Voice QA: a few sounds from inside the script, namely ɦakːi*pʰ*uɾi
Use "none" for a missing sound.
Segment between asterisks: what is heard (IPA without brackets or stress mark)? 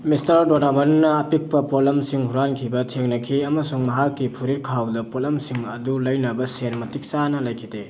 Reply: pʰ